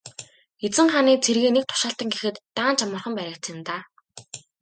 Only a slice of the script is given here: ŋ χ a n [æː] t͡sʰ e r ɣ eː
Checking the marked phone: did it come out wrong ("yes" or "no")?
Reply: yes